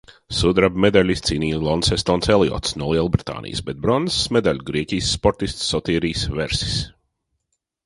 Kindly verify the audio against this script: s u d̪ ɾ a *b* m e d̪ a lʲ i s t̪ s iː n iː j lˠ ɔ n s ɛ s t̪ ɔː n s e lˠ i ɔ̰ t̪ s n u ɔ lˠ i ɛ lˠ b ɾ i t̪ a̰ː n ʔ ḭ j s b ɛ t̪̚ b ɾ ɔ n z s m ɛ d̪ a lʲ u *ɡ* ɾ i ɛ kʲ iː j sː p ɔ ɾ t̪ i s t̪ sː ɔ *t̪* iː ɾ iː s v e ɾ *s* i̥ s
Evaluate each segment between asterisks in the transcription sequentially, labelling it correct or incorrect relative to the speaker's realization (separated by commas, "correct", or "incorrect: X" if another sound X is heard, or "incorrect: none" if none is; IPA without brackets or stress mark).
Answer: correct, correct, correct, correct